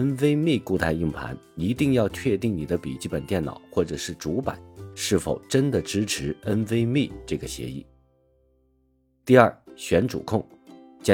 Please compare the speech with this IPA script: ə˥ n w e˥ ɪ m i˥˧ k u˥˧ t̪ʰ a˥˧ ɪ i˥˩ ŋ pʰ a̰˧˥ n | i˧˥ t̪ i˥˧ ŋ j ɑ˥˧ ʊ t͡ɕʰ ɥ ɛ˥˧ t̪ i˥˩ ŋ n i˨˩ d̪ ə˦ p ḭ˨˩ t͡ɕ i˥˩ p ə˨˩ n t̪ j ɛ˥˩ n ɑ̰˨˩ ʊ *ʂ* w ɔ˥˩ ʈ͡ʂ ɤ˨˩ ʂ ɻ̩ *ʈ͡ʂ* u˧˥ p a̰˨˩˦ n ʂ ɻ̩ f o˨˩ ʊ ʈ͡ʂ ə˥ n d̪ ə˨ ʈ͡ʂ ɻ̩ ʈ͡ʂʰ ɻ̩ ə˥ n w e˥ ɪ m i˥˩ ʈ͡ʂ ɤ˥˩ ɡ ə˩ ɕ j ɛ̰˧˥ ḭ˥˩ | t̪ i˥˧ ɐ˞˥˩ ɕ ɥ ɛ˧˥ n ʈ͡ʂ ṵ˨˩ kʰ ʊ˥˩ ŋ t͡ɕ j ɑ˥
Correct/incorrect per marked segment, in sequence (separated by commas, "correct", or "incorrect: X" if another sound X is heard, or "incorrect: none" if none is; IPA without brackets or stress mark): incorrect: x, correct